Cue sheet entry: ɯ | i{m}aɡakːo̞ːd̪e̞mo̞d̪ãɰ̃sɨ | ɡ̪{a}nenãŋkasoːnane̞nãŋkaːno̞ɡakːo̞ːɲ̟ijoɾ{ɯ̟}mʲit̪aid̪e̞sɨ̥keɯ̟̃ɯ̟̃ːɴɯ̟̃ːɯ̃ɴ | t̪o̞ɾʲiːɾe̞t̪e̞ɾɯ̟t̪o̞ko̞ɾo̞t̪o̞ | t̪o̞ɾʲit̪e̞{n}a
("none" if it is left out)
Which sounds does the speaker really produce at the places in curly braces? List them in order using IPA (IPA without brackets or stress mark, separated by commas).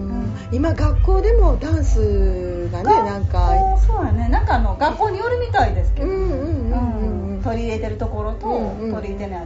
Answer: m, a, ɯ̟, n